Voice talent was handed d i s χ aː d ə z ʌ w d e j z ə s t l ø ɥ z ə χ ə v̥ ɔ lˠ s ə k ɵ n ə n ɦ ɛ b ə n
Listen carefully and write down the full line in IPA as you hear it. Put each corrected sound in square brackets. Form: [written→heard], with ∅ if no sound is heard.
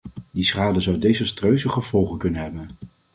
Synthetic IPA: d i s χ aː d ə z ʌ w d e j z ə s t [l→r] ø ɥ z ə χ ə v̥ ɔ lˠ [s→χ] ə k ɵ n ə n ɦ ɛ b ə n